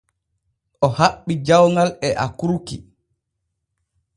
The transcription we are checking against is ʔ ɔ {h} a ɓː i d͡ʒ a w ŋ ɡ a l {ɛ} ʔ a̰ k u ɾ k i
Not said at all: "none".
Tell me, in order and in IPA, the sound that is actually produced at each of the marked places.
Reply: h, ɛ

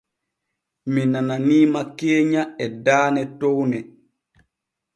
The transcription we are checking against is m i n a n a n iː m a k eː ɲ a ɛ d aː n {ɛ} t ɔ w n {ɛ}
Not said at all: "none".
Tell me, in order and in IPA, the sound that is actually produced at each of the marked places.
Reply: ɛ, ɛ

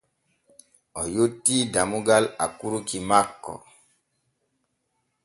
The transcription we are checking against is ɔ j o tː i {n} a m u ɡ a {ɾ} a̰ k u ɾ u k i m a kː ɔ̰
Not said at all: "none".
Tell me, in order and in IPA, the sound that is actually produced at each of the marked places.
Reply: d, l

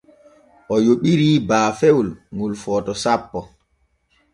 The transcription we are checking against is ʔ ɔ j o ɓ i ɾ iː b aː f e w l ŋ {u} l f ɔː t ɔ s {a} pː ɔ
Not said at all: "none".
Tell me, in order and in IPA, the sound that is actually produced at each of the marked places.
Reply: u, a

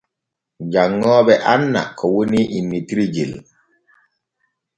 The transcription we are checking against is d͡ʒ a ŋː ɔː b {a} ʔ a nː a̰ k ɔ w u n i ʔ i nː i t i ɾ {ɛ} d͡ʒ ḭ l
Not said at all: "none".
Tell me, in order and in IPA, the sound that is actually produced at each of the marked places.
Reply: ɛ, i

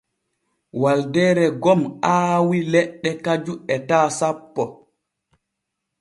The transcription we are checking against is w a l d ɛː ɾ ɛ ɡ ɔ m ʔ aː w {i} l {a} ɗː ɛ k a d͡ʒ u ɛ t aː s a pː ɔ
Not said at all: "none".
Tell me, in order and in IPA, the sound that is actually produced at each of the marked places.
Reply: i, ɛ

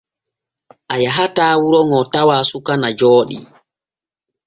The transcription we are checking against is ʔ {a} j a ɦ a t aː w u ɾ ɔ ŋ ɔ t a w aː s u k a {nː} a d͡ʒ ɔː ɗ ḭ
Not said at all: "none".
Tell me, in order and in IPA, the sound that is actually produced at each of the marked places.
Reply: a, n

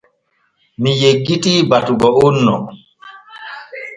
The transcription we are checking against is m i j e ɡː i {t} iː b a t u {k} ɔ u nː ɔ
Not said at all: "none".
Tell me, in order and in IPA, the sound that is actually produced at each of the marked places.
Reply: t, ɡ

